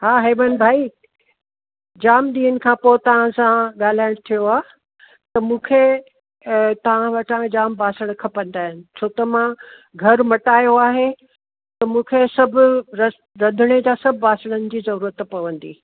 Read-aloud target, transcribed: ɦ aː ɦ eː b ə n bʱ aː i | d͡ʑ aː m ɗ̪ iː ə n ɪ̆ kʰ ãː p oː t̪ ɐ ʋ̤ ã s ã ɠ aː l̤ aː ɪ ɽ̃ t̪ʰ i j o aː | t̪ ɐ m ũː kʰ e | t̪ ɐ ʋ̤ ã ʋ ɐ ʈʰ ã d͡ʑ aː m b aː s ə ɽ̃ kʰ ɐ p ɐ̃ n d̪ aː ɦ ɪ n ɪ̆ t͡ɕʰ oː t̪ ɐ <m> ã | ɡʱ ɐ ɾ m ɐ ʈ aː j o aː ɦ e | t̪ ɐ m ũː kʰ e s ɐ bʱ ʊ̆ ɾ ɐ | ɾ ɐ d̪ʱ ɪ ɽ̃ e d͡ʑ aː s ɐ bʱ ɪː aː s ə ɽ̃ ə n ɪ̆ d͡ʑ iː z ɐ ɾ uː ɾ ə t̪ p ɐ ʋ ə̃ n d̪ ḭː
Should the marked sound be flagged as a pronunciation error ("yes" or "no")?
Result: no